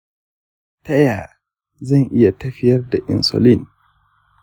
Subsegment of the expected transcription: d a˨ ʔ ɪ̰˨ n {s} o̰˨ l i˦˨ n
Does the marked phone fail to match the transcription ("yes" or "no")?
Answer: no